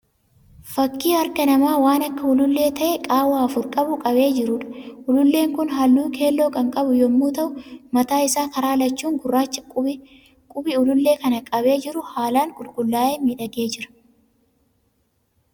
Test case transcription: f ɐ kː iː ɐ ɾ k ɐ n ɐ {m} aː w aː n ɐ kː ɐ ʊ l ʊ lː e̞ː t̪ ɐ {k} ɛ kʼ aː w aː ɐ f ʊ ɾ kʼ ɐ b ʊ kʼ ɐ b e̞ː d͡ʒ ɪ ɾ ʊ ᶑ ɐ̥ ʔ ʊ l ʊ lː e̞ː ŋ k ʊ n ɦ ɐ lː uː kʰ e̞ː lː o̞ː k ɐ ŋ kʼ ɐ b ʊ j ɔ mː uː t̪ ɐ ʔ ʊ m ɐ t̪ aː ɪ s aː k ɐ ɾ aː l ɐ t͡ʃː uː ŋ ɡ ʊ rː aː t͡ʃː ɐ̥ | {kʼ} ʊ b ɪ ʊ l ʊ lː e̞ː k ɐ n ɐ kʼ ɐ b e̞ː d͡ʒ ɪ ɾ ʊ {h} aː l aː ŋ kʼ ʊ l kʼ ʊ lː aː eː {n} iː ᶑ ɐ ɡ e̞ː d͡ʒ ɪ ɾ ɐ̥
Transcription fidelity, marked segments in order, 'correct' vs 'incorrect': correct, incorrect: ʔ, correct, correct, incorrect: m

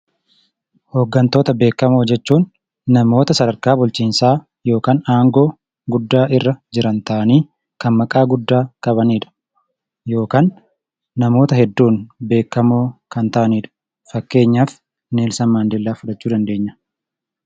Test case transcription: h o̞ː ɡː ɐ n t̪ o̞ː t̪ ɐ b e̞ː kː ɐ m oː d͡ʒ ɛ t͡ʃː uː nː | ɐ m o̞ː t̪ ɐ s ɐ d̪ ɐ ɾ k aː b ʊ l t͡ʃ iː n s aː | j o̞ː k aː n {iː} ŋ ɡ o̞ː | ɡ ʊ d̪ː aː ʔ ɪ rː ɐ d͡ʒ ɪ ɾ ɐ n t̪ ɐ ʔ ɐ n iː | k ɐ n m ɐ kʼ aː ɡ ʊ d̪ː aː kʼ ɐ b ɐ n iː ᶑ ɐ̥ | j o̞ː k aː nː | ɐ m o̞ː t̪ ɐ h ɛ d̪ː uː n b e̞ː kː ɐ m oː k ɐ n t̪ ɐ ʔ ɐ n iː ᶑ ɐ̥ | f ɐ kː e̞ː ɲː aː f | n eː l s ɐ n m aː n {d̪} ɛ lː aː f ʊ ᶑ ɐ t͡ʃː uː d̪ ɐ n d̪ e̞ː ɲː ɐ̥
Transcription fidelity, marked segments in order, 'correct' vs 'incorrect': incorrect: aː, correct

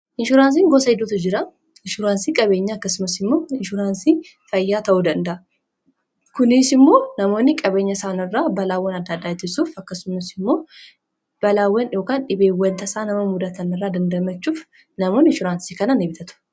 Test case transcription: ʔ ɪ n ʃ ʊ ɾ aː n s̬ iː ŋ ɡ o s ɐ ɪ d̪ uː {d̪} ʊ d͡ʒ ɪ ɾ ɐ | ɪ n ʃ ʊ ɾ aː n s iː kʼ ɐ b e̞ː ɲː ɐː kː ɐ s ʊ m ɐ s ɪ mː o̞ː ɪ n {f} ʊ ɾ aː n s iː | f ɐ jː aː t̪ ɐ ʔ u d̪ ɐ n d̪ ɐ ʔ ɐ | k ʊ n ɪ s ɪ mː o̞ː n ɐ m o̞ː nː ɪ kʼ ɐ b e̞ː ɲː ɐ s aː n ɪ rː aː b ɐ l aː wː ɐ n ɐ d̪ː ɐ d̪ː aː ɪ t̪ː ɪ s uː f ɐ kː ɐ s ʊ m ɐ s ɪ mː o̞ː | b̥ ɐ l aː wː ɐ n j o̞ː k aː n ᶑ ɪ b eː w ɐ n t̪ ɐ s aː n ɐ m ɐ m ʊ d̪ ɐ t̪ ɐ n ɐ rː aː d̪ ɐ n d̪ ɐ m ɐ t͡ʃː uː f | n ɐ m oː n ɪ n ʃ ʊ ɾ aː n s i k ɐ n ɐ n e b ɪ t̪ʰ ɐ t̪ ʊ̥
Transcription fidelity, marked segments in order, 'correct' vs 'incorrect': incorrect: t̪, incorrect: ʃ

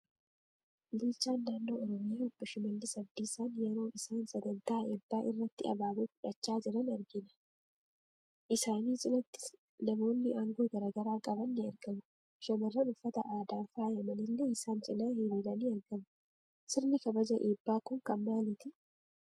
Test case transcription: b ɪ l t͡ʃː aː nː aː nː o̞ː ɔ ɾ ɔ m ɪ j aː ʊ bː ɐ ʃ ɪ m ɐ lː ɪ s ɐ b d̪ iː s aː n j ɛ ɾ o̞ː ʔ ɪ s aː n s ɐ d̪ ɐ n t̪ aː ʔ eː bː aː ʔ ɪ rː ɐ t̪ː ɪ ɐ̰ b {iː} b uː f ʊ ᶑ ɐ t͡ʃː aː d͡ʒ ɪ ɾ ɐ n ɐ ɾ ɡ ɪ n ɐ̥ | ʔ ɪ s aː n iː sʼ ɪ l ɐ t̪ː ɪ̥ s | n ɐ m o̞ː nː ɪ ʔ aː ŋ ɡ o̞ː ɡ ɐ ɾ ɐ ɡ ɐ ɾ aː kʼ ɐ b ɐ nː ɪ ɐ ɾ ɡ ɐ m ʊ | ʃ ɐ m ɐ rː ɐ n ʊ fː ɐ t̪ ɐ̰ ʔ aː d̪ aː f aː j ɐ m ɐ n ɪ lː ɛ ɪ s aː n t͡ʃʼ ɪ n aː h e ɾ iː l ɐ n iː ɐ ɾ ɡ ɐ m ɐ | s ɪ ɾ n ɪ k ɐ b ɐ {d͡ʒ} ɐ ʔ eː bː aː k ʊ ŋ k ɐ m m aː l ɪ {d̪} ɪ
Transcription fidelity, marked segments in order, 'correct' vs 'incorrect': incorrect: aː, correct, incorrect: t̪

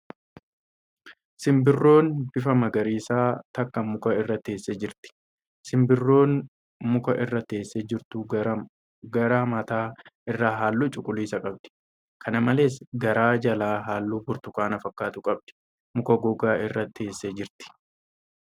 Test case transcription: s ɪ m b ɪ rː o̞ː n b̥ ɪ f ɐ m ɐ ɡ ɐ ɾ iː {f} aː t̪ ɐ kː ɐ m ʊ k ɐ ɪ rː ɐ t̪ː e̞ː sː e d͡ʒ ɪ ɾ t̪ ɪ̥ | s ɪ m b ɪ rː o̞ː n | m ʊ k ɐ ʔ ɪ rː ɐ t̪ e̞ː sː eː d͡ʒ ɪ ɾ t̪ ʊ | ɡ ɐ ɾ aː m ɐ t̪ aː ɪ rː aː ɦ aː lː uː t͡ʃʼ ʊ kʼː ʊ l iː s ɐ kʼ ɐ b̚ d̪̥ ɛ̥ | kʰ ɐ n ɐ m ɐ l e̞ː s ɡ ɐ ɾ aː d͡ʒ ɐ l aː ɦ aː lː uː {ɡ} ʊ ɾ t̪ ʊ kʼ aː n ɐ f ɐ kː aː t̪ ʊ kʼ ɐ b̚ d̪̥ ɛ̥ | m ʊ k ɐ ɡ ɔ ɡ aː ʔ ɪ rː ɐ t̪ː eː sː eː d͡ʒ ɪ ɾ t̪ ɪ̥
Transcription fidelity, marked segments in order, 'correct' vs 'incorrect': incorrect: s, incorrect: b

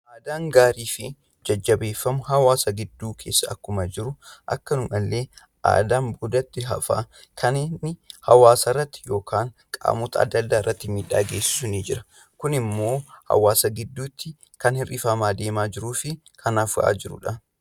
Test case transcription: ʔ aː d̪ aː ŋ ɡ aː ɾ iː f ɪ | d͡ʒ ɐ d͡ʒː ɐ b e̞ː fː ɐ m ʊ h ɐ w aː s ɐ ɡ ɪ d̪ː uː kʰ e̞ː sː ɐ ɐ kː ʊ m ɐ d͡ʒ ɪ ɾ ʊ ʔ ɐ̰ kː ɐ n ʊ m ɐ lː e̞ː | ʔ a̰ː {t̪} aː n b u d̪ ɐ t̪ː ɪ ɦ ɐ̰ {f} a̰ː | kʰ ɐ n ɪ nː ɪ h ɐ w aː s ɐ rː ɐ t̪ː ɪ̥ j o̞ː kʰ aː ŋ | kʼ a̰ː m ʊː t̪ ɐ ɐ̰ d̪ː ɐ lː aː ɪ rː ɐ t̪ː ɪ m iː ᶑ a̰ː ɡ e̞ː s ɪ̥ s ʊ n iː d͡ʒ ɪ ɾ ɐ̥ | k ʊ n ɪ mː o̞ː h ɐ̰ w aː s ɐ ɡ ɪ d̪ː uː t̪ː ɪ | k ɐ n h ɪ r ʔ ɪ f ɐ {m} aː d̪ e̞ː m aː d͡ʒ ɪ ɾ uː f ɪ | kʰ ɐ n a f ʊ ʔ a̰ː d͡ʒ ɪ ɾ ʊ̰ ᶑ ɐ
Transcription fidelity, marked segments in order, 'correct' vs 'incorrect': incorrect: d̪, correct, correct

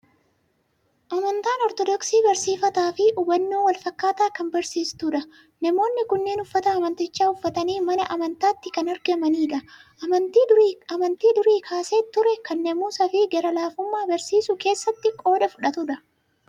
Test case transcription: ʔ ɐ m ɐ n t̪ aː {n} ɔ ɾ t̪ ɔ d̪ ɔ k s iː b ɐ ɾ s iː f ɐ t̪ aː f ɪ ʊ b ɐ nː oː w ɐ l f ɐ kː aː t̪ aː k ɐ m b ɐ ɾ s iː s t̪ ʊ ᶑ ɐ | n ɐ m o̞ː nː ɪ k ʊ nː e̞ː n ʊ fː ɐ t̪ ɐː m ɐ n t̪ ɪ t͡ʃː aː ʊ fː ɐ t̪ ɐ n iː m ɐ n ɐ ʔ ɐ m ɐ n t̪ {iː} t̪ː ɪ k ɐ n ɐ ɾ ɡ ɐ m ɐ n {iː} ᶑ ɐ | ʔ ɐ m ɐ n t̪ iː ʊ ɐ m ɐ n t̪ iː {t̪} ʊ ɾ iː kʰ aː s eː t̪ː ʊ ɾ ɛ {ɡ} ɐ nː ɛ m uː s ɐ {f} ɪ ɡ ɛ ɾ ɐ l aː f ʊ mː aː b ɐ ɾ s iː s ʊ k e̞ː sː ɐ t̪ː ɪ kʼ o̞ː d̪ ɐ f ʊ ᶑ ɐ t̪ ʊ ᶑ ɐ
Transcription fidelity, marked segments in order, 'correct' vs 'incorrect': correct, incorrect: aː, correct, incorrect: d̪, incorrect: k, correct

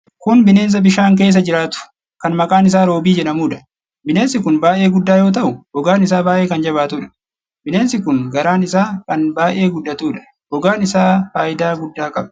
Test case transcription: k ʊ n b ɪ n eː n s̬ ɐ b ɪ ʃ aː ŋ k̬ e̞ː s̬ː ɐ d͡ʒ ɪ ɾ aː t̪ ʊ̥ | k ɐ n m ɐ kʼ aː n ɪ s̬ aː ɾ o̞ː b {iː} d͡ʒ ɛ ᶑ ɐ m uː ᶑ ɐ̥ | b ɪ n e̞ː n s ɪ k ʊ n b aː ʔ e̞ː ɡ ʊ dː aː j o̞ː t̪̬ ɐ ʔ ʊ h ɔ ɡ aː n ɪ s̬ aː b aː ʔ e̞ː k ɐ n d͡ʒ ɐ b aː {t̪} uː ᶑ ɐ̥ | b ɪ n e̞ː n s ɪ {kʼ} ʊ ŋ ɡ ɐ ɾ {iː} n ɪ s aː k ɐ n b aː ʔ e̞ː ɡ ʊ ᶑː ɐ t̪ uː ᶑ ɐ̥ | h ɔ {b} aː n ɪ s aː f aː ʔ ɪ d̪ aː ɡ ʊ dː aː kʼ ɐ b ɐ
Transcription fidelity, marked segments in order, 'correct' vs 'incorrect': correct, correct, incorrect: k, incorrect: aː, incorrect: ɡ

